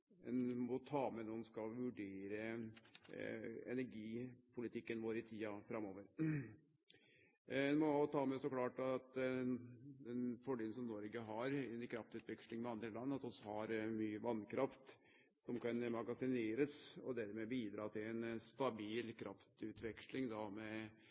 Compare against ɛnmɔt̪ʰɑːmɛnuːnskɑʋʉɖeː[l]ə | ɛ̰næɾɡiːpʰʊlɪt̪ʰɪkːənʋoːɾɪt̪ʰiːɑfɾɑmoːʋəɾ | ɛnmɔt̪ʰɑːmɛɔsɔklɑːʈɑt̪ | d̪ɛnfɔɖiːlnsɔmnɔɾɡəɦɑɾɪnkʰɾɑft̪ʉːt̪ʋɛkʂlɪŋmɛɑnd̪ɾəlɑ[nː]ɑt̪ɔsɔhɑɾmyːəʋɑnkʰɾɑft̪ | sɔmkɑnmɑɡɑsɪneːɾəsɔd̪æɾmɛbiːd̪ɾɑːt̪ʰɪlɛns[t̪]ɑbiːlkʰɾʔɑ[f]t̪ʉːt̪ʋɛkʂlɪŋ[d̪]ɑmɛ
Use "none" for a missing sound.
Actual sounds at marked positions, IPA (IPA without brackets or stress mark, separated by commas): ɾ, nː, t̪, f, d̪